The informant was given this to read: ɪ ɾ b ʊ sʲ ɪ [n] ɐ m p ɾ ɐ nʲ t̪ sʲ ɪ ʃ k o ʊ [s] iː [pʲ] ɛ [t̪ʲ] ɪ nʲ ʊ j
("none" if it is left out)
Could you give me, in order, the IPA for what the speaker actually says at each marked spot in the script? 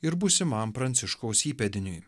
m, s, pʲ, d̪ʲ

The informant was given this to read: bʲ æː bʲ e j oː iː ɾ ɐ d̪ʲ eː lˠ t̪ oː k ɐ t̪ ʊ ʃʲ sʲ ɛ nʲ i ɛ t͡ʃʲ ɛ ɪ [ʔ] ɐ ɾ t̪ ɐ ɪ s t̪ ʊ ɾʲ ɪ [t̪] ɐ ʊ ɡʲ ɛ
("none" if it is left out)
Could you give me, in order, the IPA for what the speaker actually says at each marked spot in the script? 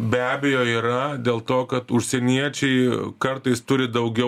k, d̪

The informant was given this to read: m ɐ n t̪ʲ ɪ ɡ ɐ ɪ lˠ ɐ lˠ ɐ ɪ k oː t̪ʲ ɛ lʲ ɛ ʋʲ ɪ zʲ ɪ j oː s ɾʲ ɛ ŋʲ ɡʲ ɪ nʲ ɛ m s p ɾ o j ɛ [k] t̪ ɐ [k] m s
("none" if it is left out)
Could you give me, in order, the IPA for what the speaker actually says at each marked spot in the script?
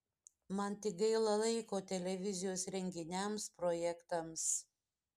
k, none

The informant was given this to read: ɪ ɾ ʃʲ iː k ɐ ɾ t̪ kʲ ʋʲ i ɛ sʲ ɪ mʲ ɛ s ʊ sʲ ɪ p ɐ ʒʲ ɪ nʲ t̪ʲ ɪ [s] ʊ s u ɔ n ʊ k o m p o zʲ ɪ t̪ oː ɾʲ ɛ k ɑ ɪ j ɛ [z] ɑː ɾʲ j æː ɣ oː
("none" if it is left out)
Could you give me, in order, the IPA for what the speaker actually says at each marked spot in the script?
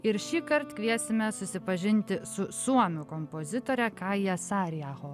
s, s

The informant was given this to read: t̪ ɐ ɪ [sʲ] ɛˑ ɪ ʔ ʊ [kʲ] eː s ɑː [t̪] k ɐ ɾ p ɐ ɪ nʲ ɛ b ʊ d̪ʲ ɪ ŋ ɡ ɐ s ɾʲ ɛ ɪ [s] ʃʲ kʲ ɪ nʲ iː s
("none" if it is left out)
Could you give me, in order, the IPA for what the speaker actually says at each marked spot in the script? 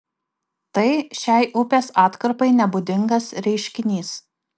ʃʲ, pʲ, t̪, none

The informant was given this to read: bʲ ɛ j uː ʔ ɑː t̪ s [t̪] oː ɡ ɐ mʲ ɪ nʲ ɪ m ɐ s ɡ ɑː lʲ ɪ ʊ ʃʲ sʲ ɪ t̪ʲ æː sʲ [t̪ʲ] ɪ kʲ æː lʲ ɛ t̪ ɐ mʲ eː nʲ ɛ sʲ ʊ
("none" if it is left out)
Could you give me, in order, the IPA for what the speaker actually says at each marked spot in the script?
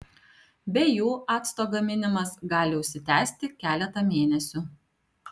t̪, t̪ʲ

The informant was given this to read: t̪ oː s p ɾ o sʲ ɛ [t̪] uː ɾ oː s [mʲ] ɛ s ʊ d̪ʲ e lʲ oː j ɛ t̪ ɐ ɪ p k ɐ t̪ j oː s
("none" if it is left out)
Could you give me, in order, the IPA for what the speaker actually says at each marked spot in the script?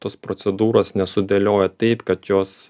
d̪, nʲ

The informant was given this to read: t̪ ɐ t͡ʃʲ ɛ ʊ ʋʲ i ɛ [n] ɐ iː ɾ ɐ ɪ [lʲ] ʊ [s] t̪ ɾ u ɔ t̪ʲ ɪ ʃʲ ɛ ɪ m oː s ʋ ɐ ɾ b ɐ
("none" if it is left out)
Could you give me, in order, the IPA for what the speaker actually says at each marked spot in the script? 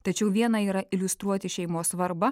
n, lʲ, s

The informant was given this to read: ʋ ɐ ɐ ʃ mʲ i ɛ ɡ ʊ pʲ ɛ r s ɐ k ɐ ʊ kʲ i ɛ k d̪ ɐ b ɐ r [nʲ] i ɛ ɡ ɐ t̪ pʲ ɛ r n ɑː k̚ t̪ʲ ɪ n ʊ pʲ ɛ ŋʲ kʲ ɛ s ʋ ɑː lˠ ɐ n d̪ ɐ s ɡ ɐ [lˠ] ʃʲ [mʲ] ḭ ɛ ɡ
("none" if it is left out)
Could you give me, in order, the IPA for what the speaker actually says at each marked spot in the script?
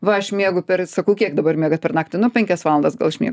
mʲ, lˠ, mʲ

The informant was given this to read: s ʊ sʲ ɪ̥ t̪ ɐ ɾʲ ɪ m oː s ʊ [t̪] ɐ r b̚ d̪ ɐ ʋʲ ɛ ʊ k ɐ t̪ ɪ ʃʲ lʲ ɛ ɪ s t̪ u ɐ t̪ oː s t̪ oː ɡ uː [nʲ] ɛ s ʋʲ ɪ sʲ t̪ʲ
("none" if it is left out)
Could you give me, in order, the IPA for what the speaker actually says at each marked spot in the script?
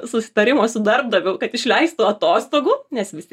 d̪, nʲ

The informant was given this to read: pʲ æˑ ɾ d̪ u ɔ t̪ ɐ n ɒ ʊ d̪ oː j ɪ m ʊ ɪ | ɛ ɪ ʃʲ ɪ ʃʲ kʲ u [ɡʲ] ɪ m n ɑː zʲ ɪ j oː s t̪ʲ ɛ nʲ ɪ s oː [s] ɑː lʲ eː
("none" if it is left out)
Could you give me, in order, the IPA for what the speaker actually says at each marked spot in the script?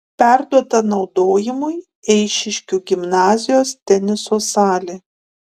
ɡʲ, s

